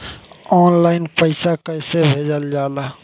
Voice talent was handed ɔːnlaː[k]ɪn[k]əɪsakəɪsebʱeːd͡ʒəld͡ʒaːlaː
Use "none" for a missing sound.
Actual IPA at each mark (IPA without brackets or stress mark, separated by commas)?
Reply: none, p